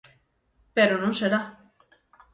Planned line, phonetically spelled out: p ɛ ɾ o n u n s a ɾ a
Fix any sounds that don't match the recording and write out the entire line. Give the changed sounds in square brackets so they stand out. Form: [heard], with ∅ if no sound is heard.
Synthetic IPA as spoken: p [e] ɾ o n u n s [e] ɾ a